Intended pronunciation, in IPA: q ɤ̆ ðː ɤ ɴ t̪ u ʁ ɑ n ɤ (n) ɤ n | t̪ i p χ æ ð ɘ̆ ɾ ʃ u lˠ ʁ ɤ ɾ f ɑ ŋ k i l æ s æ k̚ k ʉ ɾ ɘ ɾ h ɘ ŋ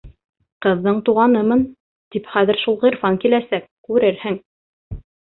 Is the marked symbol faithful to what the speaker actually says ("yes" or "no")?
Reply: no